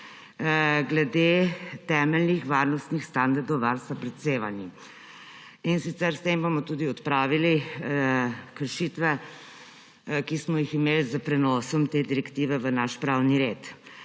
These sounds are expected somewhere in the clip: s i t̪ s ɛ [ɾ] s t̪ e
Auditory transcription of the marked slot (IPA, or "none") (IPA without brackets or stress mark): ɾ